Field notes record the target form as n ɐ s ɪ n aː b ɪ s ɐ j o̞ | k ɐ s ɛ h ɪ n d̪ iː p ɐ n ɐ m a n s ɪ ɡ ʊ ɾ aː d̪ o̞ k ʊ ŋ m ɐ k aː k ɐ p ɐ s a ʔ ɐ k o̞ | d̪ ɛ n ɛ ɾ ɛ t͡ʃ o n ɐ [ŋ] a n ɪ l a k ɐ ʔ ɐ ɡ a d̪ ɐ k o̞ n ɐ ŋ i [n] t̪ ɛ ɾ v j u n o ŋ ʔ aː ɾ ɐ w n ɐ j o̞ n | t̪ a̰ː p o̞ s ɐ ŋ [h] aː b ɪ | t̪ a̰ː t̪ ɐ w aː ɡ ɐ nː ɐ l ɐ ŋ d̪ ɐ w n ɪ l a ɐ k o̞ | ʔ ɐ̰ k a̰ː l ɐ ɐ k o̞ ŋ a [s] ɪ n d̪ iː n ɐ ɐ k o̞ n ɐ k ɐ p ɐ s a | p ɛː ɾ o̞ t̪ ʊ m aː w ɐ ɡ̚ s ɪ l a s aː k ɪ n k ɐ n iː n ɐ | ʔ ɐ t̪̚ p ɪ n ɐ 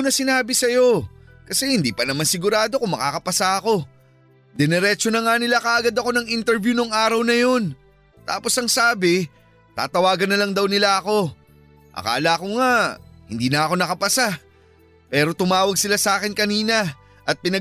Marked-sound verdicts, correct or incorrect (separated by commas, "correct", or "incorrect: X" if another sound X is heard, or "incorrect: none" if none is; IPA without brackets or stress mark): correct, correct, incorrect: s, incorrect: h